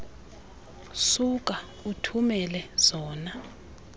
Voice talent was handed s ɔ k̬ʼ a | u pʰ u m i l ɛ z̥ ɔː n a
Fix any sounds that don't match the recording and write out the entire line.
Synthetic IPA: s u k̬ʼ a | u tʰ u m ɛ l ɛ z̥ ɔː n a